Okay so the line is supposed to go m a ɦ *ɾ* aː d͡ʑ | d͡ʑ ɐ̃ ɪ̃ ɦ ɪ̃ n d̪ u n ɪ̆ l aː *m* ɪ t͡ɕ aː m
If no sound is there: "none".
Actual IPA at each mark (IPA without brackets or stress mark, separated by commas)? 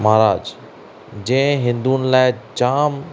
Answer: ɾ, none